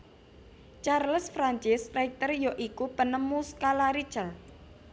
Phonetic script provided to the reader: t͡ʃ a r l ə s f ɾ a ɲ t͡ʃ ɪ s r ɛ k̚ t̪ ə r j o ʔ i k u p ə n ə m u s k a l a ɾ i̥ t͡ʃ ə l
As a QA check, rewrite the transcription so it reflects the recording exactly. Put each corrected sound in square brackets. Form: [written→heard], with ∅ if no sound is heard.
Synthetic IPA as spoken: t͡ʃ a r l ə s f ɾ a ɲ t͡ʃ ɪ s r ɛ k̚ t̪ ə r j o ʔ i k u p ə n ə m u s k a l a ɾ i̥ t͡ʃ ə l